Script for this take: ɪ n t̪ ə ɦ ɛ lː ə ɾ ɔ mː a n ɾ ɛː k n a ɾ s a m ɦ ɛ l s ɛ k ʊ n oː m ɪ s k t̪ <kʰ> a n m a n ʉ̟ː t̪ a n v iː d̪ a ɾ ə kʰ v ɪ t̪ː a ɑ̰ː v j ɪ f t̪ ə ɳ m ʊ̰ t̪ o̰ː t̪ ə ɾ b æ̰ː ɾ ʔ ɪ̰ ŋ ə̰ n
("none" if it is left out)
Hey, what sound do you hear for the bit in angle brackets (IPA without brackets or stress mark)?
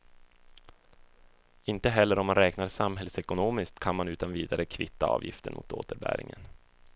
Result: kʰ